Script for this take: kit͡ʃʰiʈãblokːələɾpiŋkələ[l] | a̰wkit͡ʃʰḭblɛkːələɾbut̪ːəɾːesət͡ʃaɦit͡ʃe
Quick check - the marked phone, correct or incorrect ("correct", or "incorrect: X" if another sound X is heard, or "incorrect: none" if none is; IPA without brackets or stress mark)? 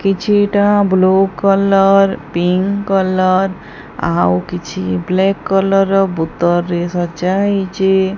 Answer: incorrect: ɾ